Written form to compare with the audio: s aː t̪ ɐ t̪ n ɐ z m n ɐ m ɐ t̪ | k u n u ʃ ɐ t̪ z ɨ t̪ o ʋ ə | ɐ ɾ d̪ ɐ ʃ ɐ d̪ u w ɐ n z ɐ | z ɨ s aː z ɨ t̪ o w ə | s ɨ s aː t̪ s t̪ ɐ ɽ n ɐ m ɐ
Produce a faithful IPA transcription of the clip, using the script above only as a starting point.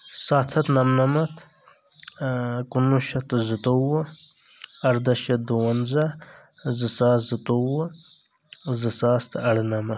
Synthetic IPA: s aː t̪ʰ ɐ t̪ n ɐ m n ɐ m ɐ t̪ | k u n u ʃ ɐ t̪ z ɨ t̪ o w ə | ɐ ɾ d̪ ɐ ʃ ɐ d̪ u w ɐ n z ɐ | z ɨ s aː z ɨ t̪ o w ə | z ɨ s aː s t̪ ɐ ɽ n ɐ m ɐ